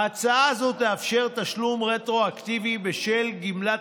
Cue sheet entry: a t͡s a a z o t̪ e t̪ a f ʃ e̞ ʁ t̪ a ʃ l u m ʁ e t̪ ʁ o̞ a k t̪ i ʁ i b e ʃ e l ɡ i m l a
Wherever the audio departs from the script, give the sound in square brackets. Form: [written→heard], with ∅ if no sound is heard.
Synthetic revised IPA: a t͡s a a z o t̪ e [t̪→∅] a f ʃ e̞ ʁ t̪ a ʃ l u m ʁ e t̪ ʁ o̞ a k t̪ i [ʁ→v] i b e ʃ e l ɡ i m l a